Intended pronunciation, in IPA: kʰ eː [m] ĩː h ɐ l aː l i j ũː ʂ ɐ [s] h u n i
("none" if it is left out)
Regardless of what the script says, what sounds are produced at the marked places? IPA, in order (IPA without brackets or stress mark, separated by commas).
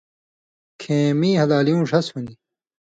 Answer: m, s